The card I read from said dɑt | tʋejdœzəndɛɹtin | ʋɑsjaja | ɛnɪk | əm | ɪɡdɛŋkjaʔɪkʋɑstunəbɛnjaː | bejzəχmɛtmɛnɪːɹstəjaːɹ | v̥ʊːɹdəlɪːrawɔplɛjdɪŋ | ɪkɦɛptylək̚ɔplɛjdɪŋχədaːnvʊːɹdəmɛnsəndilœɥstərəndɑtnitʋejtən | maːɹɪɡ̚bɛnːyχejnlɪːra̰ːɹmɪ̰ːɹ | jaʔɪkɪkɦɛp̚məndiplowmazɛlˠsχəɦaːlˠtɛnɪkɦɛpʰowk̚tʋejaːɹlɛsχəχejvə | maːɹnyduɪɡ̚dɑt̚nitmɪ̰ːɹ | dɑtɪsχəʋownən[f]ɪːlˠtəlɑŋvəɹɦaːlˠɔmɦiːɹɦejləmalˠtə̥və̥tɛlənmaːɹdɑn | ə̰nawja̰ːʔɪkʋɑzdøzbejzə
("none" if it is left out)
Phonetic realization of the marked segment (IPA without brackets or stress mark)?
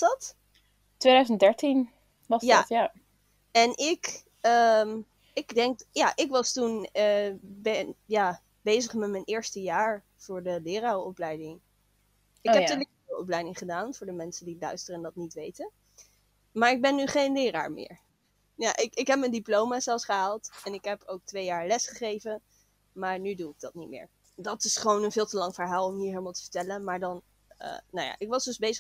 v